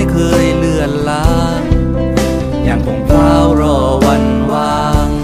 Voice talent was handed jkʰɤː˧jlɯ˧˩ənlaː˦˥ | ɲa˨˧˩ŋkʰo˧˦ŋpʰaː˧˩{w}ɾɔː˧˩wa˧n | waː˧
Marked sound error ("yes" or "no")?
no